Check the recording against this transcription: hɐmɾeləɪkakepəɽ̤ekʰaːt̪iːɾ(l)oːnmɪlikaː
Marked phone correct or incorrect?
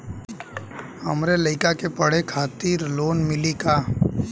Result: correct